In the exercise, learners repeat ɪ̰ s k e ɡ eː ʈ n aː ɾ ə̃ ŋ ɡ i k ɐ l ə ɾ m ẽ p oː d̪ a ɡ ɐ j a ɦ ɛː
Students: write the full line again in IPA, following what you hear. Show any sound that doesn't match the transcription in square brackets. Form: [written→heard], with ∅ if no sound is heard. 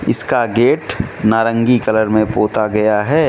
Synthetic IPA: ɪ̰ s k [e→a] ɡ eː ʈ n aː ɾ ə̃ ŋ ɡ i k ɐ l ə ɾ m ẽ p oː [d̪→t̪] a ɡ ɐ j a ɦ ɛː